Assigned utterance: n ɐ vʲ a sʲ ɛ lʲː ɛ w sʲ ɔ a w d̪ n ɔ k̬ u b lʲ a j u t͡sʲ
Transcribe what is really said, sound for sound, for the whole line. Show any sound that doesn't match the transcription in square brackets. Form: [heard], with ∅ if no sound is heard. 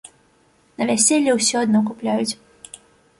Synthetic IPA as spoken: n ɐ vʲ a sʲ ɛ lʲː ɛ w sʲ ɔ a [∅] d̪ n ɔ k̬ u [p] lʲ a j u t͡sʲ